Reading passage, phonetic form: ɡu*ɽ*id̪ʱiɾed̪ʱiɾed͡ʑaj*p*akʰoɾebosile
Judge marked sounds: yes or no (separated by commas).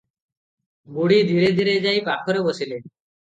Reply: yes, yes